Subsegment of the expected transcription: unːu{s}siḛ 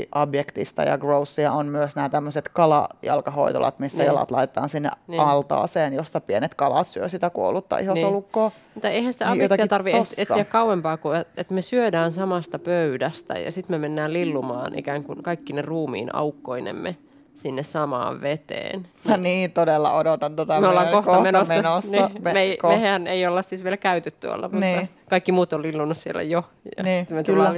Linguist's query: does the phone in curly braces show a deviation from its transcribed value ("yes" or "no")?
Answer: no